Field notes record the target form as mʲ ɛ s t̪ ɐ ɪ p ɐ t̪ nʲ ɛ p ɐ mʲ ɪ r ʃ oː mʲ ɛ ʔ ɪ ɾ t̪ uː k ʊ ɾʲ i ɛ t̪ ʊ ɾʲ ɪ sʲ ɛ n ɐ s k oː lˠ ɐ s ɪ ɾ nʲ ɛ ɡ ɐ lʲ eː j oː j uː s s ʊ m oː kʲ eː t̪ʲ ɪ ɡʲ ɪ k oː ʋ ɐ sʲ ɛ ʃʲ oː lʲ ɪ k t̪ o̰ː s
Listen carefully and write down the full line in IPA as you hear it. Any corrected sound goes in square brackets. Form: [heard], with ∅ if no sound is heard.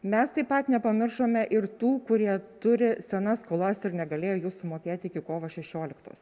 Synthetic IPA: mʲ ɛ s t̪ ɐ ɪ p ɐ t̪ nʲ ɛ p ɐ mʲ ɪ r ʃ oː mʲ ɛ ʔ ɪ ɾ t̪ uː k ʊ ɾʲ i ɛ t̪ ʊ ɾʲ ɪ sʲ ɛ n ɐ s k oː lˠ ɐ s ɪ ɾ nʲ ɛ ɡ ɐ lʲ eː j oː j uː s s ʊ m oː kʲ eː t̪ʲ ɪ [kʲ] ɪ k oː ʋ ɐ [ʃʲ] ɛ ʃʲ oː lʲ ɪ k t̪ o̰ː s